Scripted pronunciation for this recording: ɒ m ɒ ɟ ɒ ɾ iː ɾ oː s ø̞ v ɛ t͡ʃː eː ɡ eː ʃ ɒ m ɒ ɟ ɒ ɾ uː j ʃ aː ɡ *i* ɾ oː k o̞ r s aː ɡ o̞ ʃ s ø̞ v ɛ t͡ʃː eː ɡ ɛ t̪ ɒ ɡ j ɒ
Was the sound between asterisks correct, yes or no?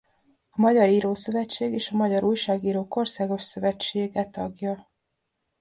no